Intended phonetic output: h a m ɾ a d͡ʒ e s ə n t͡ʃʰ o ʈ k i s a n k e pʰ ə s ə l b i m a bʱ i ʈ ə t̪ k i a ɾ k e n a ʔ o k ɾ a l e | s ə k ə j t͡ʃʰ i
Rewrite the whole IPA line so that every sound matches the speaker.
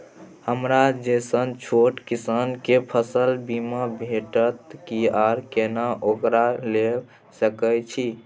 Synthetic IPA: h ə m ɾ a d͡ʒ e s ə n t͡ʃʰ o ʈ k i s a n k e pʰ ə s ə l b i m a bʱ e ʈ ə t̪ k i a ɾ k e n a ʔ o k ɾ a l e | s ə k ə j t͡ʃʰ i